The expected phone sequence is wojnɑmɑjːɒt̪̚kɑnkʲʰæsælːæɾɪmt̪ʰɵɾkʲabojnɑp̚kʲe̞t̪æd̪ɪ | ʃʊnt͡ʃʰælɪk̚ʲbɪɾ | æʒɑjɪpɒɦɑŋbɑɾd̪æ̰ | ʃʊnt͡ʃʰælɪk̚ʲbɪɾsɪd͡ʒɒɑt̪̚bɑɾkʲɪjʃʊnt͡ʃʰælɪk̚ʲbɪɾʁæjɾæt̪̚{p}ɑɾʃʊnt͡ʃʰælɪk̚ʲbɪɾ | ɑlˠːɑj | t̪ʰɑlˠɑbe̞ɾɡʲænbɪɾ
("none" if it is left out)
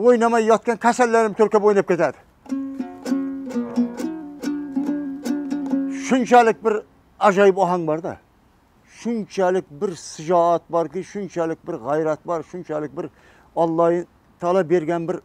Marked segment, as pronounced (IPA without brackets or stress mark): b